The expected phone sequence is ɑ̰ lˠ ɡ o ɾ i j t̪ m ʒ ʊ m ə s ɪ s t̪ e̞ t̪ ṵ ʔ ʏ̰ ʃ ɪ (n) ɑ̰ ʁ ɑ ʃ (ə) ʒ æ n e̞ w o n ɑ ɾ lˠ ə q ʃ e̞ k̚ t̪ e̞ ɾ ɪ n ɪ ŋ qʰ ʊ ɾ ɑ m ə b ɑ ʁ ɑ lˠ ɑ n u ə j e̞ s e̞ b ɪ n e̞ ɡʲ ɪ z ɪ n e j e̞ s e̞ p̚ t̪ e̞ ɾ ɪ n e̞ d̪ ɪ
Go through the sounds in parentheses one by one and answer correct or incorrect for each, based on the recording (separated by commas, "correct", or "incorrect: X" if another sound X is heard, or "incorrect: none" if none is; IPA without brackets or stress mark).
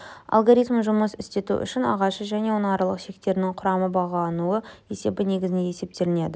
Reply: correct, correct